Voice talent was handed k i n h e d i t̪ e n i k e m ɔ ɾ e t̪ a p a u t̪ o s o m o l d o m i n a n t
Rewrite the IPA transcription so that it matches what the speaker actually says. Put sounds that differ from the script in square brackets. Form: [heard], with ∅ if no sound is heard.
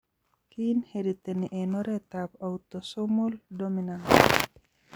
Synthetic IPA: k i n h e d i t̪ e n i [ʔ] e [n] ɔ ɾ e t̪ a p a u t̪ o s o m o l d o m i n a n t